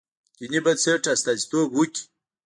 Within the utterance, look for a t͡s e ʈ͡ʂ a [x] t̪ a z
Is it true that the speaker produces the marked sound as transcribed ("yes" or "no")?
no